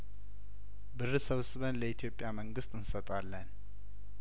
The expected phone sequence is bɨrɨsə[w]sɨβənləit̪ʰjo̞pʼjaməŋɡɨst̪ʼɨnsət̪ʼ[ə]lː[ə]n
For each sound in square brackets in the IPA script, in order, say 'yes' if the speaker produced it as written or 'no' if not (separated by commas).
no, no, yes